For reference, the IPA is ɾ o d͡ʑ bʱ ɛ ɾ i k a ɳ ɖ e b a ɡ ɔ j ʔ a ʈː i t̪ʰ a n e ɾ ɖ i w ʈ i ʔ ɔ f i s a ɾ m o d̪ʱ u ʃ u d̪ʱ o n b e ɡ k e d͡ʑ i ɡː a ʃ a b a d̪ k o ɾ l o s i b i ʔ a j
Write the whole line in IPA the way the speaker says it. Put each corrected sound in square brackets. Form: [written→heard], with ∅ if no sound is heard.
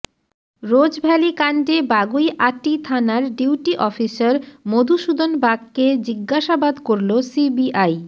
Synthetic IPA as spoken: ɾ o d͡ʑ bʱ ɛ [ɾ→l] i k a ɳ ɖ e b a ɡ [ɔ→u] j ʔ a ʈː i t̪ʰ a n [e→a] ɾ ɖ i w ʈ i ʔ ɔ f i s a ɾ m o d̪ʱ u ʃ u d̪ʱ o n b [e→a] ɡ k e d͡ʑ i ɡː a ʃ a b a d̪ k o ɾ l o s i b i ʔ a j